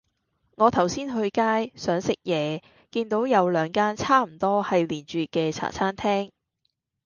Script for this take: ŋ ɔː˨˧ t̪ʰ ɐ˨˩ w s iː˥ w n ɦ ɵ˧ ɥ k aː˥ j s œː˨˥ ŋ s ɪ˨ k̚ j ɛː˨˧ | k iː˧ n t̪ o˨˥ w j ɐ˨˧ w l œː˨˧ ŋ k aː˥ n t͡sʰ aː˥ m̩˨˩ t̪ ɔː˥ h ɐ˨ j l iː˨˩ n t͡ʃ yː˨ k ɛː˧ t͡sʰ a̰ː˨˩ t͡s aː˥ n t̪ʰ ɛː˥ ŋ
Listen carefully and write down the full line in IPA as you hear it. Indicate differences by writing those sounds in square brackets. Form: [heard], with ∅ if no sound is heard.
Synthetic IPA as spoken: ŋ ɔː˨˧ t̪ʰ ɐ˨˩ w s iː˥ [∅] n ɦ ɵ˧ ɥ k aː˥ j s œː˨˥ ŋ s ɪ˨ k̚ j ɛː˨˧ | k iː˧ n t̪ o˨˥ w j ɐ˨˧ w l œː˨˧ ŋ k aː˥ n t͡sʰ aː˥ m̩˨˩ t̪ ɔː˥ h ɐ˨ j l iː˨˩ n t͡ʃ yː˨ k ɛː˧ t͡sʰ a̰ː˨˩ [t͡sʰ] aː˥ n t̪ʰ ɛː˥ ŋ